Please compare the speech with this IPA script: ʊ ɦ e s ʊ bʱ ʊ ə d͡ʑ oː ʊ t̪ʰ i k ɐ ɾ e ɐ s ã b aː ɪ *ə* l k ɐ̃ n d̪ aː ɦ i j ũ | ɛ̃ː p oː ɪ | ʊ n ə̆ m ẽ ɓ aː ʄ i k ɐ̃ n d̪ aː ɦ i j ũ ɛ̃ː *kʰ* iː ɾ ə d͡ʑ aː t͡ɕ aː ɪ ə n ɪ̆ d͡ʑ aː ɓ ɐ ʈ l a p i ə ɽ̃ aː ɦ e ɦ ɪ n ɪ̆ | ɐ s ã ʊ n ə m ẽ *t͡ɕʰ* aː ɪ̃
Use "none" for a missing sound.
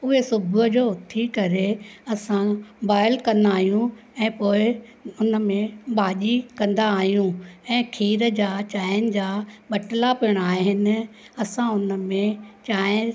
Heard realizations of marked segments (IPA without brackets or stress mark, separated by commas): ə, kʰ, t͡ɕ